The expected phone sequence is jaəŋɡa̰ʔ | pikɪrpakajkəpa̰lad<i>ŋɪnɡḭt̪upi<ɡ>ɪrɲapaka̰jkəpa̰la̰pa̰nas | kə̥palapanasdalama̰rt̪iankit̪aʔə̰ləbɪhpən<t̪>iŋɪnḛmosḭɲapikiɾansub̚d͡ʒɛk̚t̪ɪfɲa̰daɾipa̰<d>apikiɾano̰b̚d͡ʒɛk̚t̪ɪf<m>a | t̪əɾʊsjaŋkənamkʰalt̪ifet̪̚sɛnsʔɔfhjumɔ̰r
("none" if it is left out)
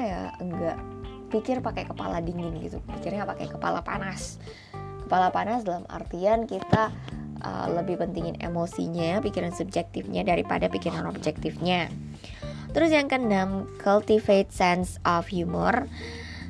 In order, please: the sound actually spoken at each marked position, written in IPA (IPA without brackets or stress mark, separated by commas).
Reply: i, k, t̪, d, ɲ